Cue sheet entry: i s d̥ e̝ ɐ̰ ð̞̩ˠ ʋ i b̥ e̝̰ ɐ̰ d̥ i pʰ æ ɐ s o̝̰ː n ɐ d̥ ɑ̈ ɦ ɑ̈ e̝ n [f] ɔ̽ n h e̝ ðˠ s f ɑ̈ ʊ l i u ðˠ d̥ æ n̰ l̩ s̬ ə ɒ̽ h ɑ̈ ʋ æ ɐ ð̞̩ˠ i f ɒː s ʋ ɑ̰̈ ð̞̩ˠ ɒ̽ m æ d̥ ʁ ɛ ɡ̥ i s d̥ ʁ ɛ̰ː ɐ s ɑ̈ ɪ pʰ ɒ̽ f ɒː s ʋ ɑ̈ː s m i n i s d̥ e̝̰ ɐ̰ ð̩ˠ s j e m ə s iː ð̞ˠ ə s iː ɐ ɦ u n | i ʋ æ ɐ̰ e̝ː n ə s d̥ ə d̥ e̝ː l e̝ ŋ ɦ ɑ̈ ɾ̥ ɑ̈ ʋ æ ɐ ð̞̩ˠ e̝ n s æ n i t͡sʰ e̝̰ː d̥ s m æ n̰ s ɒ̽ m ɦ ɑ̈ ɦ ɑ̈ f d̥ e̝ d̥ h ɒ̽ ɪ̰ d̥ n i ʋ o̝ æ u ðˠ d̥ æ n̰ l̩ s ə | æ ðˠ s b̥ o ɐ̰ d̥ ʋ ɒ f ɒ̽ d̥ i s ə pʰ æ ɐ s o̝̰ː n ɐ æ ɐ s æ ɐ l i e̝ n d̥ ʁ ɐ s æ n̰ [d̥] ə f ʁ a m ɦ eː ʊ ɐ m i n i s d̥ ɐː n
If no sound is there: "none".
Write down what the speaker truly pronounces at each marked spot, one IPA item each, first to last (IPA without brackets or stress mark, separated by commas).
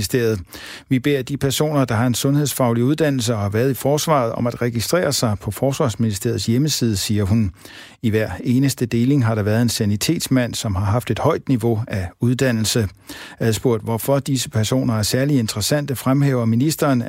s, d̥